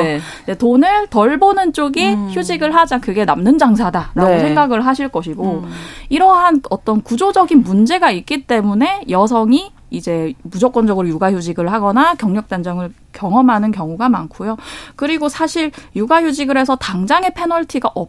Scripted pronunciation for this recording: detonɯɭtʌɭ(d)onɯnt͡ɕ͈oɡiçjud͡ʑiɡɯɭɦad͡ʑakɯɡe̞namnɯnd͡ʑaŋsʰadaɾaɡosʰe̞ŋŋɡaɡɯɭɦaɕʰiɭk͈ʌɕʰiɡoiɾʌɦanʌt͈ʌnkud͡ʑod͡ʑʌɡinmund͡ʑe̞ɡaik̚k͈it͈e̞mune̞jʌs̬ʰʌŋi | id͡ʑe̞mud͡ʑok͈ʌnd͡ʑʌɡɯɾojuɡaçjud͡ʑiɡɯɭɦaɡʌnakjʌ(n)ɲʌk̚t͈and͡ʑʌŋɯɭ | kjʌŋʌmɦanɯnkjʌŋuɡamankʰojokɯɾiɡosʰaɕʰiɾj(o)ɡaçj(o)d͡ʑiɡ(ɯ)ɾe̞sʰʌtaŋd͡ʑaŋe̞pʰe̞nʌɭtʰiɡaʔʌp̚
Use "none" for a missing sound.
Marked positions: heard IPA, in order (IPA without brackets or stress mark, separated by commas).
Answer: b, ŋ, u, u, ɯ